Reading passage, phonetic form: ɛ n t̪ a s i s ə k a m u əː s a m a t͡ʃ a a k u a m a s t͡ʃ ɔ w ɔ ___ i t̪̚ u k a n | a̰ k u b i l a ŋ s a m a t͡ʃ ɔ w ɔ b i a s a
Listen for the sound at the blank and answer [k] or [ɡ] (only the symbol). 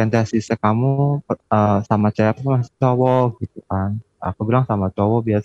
ɡ